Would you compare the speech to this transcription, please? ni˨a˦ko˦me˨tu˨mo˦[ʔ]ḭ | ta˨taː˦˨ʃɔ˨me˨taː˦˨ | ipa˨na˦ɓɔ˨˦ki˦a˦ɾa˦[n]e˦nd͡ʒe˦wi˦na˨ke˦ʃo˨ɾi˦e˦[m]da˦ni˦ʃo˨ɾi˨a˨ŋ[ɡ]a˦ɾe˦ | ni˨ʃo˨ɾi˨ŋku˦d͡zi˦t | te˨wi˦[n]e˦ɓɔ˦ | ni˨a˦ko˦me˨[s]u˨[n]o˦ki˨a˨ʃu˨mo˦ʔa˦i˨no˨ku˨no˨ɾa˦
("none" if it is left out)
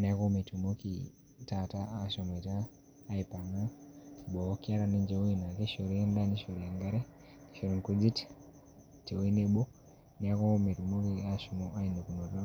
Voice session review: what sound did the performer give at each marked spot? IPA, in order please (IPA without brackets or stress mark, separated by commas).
k, n, n, ɡ, n, t, m